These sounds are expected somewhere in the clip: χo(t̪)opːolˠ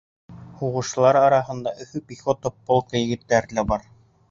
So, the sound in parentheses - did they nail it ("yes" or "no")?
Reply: yes